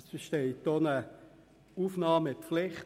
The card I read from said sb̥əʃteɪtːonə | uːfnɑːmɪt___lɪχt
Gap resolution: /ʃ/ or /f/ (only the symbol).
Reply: f